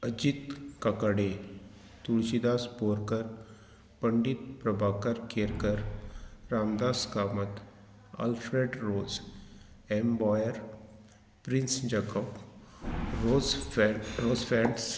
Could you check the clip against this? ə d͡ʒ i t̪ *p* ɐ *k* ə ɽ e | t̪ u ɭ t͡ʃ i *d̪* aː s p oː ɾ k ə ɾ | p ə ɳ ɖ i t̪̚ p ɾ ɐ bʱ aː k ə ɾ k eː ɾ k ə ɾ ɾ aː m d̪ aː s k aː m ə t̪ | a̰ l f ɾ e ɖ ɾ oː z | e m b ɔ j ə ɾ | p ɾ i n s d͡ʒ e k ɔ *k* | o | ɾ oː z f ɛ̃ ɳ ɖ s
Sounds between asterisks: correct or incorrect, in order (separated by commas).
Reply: incorrect, correct, correct, incorrect